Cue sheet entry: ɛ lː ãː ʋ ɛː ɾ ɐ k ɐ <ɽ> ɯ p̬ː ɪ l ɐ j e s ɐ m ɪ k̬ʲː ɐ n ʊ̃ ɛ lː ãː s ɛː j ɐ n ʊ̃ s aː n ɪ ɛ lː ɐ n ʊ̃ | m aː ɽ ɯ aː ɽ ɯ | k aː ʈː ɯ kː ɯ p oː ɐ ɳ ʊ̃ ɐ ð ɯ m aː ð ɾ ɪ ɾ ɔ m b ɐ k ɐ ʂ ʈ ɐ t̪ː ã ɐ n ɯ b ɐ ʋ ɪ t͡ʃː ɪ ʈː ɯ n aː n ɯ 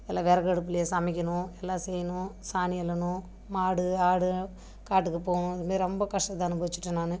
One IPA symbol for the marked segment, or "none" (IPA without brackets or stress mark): ɽ